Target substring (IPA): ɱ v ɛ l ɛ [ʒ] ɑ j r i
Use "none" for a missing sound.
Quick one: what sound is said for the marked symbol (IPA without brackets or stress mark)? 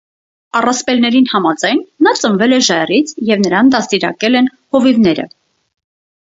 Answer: ʒ